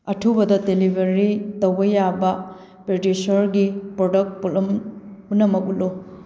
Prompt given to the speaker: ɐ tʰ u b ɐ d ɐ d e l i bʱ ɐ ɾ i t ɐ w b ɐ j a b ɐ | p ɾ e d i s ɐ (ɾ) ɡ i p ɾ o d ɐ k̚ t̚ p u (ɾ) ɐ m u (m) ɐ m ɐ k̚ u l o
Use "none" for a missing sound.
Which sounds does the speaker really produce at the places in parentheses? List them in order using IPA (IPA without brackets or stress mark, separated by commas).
ɾ, l, n